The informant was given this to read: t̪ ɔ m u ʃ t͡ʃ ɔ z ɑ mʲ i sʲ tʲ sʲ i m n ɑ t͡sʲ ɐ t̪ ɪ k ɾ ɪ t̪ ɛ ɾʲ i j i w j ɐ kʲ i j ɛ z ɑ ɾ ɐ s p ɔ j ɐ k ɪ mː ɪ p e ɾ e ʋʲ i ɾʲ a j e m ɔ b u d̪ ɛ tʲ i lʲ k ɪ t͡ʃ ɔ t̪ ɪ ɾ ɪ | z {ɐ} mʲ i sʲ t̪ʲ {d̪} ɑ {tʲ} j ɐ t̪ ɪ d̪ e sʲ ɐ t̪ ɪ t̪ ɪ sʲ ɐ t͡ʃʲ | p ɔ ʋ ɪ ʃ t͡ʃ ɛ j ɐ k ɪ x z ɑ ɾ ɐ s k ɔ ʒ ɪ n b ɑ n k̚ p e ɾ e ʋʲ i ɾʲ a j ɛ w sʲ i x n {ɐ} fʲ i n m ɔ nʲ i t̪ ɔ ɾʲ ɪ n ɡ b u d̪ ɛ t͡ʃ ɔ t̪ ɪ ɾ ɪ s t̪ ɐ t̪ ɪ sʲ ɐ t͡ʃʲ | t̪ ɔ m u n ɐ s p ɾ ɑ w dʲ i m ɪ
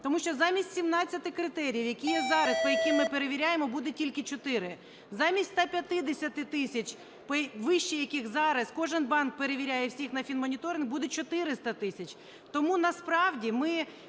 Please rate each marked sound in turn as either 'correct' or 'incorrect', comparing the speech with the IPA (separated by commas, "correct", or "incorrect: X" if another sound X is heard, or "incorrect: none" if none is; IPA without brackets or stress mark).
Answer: incorrect: ɑ, incorrect: t̪, incorrect: pʲ, correct